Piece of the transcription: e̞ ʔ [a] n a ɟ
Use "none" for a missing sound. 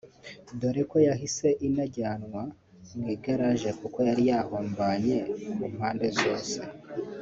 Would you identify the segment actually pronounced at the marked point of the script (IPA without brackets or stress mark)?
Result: i